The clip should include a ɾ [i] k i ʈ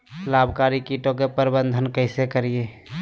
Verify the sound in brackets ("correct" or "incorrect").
correct